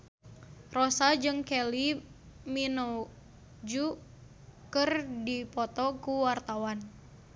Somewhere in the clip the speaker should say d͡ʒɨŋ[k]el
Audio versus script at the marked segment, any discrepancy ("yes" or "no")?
no